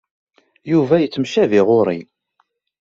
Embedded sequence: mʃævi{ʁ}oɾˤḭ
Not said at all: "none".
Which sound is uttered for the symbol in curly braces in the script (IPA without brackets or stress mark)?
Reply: ʁ